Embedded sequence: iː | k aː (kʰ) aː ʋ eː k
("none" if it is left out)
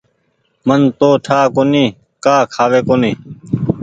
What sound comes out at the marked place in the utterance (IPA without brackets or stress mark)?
kʰ